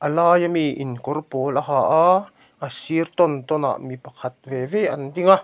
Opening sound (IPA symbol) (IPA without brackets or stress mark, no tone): ʔ